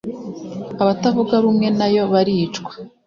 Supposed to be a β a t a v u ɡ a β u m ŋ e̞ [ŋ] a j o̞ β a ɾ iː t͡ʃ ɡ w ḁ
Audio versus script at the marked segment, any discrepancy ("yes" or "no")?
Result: yes